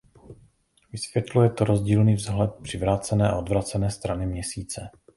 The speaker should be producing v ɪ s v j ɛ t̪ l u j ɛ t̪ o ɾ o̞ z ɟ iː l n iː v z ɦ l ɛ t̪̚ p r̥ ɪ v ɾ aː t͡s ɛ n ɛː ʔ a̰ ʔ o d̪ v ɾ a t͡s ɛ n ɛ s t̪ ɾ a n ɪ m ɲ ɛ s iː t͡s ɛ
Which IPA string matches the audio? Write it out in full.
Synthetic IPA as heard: v ɪ s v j ɛ t̪ l u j ɛ t̪ o ɾ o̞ z ɟ iː l n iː v z ɦ l ɛ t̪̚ p r̥ ɪ v ɾ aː t͡s ɛ n ɛː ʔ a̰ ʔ o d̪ v ɾ a t͡s ɛ n ɛː s t̪ ɾ a n ɪ m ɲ ɛ s iː t͡s ɛ